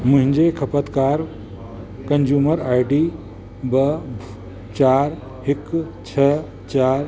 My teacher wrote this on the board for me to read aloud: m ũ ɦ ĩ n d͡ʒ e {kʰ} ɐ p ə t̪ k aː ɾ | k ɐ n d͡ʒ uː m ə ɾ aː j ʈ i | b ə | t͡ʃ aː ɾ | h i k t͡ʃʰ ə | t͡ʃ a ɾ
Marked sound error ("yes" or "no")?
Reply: no